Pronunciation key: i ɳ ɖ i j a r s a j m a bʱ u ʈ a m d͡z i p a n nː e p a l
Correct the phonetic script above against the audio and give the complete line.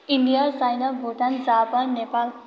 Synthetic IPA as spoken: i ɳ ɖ i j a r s a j n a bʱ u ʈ a n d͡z a p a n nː e p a l